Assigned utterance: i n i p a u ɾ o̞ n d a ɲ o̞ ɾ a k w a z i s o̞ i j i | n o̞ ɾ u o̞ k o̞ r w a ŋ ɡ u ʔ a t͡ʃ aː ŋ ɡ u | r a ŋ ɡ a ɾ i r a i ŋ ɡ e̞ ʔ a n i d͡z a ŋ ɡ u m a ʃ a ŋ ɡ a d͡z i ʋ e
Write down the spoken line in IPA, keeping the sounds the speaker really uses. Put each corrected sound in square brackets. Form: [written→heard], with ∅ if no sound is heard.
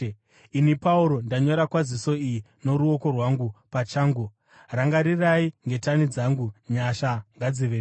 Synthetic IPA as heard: i n i p a u ɾ o̞ n d a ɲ o̞ ɾ a k w a z i s o̞ i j i | n o̞ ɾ u o̞ k o̞ r w a ŋ ɡ u [ʔ→p] a t͡ʃ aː ŋ ɡ u | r a ŋ ɡ a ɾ i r a i ŋ ɡ e̞ [ʔ→t] a n i d͡z a ŋ ɡ u [m→ɲ] a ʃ a ŋ ɡ a d͡z i ʋ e